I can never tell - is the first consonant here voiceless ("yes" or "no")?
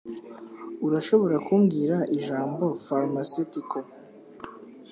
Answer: no